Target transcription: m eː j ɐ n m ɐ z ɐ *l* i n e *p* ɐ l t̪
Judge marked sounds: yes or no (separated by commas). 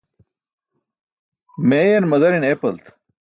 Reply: no, yes